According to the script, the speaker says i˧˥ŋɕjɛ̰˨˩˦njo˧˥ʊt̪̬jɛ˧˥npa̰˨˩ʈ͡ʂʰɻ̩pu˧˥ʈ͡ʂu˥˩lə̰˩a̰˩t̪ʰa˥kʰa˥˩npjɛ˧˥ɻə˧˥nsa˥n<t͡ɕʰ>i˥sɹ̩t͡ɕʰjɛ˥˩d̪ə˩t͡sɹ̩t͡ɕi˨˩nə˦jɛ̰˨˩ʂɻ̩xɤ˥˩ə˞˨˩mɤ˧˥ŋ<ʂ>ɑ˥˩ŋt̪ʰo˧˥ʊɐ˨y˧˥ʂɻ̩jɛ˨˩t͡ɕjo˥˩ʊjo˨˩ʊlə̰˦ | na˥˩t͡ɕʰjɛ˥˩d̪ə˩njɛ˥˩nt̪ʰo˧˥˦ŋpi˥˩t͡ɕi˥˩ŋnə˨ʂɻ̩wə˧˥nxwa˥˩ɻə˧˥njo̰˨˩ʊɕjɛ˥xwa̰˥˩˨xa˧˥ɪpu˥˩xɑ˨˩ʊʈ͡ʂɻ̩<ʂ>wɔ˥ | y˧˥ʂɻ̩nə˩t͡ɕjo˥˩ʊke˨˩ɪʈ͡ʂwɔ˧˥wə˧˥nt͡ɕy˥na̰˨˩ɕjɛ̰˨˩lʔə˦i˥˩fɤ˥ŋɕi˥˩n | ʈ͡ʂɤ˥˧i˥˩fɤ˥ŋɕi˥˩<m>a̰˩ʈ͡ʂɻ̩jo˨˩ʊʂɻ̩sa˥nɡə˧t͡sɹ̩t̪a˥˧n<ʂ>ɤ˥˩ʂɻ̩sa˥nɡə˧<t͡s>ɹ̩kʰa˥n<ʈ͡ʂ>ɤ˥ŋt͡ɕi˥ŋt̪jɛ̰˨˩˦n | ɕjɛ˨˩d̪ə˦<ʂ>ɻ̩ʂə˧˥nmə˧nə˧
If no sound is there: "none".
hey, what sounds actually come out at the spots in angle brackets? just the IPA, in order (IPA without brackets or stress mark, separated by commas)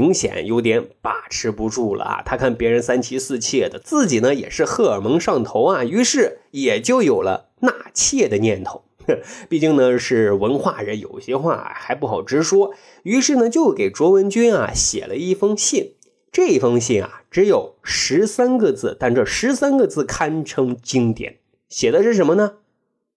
t͡ɕʰ, ʂ, ʂ, n, ʈ͡ʂ, t͡s, ʈ͡ʂʰ, ʂ